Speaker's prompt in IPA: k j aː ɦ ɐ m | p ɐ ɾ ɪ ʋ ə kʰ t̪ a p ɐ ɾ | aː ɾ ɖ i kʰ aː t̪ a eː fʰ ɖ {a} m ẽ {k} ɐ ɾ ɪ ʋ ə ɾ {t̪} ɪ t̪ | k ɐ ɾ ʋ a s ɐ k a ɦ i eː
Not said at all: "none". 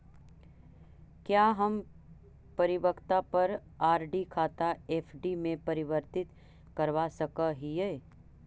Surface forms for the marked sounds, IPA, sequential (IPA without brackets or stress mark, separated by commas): i, p, t̪